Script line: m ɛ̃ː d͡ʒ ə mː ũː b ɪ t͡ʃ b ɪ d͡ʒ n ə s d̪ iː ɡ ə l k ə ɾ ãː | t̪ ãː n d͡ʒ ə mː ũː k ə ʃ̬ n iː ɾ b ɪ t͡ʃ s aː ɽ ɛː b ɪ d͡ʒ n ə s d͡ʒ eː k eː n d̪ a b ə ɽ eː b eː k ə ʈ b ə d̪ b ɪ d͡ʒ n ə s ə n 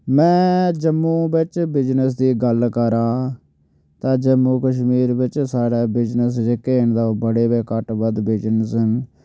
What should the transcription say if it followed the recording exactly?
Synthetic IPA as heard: m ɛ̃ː d͡ʒ ə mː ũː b ɪ t͡ʃ b ɪ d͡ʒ n ə s d̪ iː ɡ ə l k ə ɾ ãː | t̪ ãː d͡ʒ ə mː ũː k ə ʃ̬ m iː ɾ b ɪ t͡ʃ s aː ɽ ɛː b ɪ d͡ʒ n ə s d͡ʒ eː k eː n d̪ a b ə ɽ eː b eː k ə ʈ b ə d̪ b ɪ d͡ʒ n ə s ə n